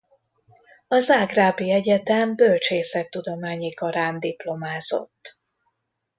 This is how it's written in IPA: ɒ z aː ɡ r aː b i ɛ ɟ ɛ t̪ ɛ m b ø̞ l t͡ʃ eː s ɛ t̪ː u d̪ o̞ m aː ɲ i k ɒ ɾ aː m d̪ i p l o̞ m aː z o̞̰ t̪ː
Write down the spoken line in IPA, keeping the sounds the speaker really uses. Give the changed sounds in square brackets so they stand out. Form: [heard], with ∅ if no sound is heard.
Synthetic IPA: ɒ z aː ɡ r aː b i ɛ ɟ ɛ t̪ ɛ m b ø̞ l t͡ʃ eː s ɛ t̪ː u d̪ o̞ m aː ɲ i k ɒ ɾ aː [n] d̪ i p l o̞ m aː z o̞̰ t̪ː